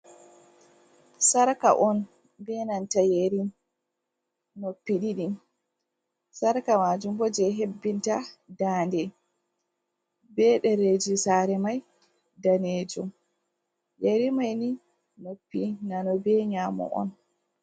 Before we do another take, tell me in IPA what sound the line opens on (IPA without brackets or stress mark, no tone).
s